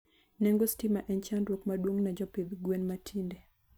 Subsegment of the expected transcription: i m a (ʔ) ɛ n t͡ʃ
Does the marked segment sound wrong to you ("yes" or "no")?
no